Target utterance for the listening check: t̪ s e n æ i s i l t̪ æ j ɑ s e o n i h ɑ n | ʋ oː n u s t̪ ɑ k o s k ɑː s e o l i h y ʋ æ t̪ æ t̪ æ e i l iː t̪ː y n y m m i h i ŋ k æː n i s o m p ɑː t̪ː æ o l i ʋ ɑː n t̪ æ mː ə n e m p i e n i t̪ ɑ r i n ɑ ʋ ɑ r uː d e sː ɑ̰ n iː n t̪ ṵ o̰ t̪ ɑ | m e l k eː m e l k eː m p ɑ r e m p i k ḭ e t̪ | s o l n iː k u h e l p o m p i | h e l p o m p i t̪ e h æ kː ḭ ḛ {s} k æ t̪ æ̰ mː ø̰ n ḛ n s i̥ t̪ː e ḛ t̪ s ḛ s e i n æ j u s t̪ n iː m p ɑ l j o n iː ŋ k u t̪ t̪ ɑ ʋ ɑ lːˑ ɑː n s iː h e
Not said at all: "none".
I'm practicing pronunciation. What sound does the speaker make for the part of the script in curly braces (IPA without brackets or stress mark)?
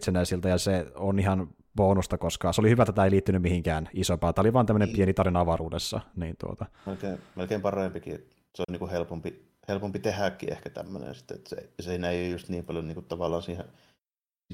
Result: h